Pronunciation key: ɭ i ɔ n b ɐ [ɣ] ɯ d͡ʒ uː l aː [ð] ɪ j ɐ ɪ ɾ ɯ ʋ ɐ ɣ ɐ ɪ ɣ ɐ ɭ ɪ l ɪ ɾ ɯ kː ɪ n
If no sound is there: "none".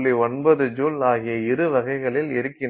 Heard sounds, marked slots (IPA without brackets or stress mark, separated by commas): ð, ɣ